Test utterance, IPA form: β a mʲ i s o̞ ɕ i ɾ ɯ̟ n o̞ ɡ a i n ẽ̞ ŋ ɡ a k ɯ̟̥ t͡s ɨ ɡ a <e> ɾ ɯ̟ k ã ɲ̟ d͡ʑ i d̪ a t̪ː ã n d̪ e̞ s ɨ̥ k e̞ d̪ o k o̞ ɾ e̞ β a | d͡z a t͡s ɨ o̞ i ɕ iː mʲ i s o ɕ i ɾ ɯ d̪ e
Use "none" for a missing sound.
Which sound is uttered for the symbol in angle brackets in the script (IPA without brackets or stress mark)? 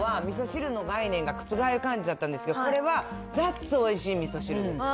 e